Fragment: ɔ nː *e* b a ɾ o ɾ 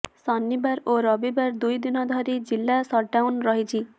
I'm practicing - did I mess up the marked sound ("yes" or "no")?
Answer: yes